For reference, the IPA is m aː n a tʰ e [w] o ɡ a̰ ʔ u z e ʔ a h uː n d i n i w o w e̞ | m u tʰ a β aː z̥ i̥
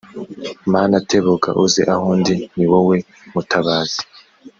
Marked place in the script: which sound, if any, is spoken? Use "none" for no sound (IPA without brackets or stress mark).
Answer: β